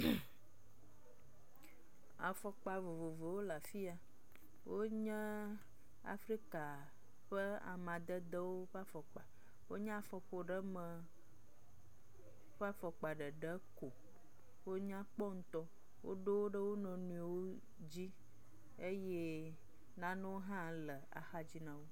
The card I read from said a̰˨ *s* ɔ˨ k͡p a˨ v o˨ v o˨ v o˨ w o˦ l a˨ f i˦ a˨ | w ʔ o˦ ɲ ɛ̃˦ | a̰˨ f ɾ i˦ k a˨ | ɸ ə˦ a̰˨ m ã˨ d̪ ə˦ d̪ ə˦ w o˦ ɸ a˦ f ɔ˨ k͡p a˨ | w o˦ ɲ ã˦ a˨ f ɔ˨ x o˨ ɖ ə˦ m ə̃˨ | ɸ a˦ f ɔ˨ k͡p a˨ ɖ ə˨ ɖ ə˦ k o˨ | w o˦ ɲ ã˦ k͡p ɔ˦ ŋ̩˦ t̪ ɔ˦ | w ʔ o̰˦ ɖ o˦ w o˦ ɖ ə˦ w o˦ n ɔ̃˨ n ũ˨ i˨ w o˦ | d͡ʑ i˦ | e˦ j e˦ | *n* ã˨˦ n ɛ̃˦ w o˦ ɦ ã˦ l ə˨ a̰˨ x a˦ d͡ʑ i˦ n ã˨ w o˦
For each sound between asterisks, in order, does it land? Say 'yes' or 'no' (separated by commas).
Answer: no, yes